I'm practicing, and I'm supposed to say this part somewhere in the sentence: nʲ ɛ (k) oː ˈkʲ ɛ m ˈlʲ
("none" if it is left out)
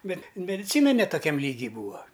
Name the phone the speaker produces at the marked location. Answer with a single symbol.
t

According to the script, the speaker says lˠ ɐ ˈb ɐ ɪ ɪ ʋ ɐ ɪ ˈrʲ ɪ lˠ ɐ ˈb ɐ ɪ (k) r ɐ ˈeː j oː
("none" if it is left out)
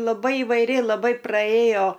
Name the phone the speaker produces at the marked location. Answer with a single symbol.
p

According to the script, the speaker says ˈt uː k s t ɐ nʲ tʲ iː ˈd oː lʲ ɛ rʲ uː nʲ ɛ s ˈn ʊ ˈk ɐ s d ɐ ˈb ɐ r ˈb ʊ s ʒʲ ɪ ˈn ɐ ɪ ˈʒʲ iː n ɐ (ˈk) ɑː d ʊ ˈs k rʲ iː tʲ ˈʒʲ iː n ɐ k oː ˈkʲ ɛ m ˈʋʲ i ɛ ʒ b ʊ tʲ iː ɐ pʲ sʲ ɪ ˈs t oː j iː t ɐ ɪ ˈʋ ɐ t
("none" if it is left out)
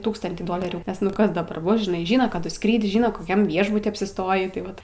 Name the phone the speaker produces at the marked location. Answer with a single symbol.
k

